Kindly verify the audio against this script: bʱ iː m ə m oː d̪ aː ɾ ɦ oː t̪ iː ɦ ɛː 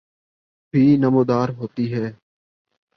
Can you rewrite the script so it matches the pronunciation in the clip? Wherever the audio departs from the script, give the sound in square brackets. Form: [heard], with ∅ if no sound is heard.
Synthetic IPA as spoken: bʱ iː [n] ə m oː d̪ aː ɾ ɦ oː t̪ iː ɦ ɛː